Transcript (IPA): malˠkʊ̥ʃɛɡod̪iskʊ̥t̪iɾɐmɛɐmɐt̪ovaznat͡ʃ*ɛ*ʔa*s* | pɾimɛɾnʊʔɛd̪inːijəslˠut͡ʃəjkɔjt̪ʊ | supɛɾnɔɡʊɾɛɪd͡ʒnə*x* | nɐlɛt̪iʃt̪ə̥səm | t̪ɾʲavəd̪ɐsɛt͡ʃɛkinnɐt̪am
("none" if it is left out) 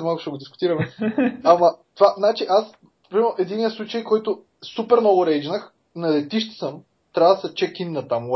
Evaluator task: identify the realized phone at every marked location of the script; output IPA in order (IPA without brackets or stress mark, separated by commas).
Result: i, s, x